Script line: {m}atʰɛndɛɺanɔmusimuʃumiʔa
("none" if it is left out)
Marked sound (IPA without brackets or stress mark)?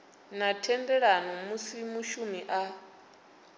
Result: n